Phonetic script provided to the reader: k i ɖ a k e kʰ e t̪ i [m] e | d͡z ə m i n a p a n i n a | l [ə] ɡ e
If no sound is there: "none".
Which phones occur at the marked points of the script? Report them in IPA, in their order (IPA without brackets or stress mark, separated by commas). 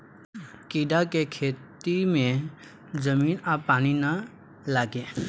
m, a